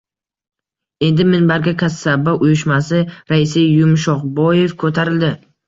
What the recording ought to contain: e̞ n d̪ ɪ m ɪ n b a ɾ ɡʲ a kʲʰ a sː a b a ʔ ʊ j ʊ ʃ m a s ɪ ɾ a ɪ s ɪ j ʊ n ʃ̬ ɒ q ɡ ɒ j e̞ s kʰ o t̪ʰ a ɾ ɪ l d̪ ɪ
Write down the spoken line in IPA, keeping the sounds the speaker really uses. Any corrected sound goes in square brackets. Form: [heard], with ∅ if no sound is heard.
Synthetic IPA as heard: e̞ n d̪ ɪ m ɪ n b a ɾ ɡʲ a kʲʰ a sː a b a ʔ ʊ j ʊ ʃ m a s ɪ ɾ a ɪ s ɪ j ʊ [m] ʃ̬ ɒ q [b] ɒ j e̞ [f] kʰ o t̪ʰ a ɾ ɪ l d̪ ɪ